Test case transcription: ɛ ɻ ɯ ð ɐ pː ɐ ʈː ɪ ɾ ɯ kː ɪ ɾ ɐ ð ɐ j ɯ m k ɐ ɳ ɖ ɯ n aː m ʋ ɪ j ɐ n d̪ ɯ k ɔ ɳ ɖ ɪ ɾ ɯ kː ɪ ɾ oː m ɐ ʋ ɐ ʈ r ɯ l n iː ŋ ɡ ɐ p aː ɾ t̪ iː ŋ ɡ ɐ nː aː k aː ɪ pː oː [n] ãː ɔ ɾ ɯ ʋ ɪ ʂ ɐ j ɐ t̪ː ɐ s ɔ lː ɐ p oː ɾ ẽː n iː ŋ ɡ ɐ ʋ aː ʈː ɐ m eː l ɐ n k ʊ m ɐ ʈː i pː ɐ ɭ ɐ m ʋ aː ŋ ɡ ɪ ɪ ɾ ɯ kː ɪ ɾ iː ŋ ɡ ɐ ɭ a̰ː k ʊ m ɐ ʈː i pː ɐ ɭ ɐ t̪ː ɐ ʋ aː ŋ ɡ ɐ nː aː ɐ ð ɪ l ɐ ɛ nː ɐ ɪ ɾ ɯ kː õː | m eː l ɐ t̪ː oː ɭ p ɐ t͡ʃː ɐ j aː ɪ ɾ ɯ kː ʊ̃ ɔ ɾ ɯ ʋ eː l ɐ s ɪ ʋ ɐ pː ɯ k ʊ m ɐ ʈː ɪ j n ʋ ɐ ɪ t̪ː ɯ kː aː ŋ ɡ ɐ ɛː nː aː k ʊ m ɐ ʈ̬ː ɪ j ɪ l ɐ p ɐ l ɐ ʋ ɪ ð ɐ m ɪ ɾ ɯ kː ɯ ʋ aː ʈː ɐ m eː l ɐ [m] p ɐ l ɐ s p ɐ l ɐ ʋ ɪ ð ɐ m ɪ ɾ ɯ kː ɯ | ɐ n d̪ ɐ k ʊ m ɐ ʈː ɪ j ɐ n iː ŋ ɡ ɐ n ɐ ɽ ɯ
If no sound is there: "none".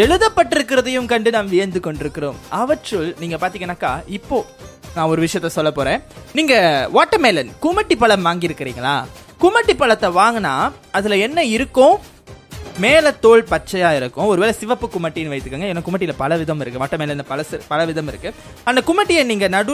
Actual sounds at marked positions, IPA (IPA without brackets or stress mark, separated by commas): n, n